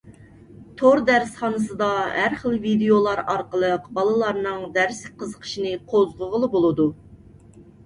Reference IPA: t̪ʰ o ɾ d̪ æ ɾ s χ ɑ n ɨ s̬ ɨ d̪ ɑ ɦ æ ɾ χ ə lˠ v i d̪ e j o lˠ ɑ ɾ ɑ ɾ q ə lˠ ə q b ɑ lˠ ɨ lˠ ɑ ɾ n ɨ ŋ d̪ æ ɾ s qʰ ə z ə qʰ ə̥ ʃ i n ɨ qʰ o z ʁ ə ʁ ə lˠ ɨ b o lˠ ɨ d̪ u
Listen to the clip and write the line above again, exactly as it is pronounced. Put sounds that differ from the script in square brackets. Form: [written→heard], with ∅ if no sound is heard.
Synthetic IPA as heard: t̪ʰ o ɾ d̪ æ ɾ s χ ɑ n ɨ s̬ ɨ d̪ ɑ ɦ æ ɾ χ ə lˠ v i d̪ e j o lˠ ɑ ɾ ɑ ɾ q ə lˠ ə q b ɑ lˠ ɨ lˠ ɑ ɾ n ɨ ŋ d̪ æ ɾ s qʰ ə z ə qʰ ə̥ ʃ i n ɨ qʰ o z ʁ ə ʁ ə lˠ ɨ b o lˠ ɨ d̪ u